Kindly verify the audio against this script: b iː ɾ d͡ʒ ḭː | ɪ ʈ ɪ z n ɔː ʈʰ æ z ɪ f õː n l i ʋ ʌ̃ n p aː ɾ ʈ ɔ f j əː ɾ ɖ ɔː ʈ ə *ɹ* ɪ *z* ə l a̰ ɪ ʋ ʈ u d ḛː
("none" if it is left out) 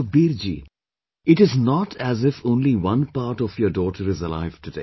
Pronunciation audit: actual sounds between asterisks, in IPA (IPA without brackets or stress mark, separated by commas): ɾ, z